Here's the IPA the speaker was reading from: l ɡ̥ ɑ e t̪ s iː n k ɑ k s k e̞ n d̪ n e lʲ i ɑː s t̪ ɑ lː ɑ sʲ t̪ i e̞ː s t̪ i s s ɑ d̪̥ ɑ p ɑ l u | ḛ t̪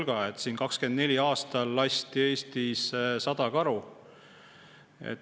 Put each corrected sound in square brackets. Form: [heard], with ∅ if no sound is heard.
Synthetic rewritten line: l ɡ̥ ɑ e t̪ s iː n k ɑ k s k e̞ n d̪ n e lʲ i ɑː s t̪ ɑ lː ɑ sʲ t̪ i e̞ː s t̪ i s s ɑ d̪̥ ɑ [k] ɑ [ɾ] u | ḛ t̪

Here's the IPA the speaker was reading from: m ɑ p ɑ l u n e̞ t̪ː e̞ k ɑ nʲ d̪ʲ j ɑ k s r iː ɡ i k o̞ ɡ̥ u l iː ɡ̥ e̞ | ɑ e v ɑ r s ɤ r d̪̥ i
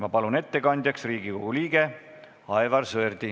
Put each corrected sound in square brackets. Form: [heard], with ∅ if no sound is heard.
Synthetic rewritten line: m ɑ p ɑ l u n e̞ t̪ː e̞ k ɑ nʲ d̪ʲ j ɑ k s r iː ɡ i k o̞ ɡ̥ u l iː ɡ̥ e̞ | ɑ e v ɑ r s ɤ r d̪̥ i

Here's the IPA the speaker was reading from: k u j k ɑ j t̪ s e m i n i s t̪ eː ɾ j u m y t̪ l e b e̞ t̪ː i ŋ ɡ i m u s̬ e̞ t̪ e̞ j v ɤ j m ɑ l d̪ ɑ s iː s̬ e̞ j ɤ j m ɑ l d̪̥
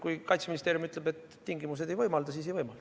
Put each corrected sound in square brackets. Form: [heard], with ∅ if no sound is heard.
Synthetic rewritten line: k u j k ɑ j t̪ s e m i n i s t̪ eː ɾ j u m y t̪ l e b e̞ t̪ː i ŋ ɡ i m u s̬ e̞ [d̪] e̞ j v ɤ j m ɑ l d̪ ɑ s iː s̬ e̞ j ɤ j m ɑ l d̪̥

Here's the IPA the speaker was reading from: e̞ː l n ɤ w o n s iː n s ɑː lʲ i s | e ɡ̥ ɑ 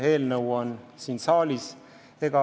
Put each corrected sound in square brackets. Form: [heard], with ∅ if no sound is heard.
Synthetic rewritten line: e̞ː l n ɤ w o n s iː n s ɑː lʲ i s | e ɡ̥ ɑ

